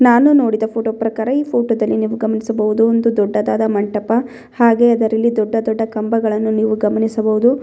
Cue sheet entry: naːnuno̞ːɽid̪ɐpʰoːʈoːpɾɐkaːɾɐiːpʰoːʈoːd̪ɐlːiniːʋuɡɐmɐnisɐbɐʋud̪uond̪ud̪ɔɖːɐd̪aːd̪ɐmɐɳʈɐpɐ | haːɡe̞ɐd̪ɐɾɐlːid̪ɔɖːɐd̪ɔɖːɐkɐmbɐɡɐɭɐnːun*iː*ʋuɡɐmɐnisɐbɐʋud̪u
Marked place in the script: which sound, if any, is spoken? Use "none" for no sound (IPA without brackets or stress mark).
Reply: iː